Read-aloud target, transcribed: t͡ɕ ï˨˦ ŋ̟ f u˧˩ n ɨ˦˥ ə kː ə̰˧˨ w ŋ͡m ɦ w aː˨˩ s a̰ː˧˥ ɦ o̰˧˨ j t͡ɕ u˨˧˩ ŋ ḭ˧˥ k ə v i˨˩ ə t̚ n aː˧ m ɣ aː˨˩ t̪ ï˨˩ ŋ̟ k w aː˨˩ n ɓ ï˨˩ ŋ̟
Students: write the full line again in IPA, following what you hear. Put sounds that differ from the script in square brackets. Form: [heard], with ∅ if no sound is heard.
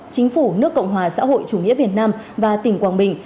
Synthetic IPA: t͡ɕ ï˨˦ ŋ̟ f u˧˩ n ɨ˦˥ ə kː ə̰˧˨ w ŋ͡m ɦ w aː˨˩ s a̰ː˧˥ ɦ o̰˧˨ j t͡ɕ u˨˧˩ ŋ ḭ˧˥ [∅] ə v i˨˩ ə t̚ n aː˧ m [v] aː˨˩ t̪ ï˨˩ ŋ̟ k w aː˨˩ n ɓ ï˨˩ ŋ̟